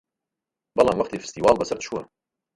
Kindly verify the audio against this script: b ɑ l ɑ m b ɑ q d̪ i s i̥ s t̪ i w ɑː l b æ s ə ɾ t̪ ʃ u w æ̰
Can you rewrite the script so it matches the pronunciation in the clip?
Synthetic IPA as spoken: b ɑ l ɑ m w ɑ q t̪ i f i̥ s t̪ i w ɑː l b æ s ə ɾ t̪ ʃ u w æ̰